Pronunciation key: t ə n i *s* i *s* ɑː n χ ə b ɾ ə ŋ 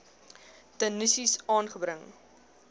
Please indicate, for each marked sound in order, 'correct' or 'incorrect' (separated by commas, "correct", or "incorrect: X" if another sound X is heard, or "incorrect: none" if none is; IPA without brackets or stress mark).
correct, correct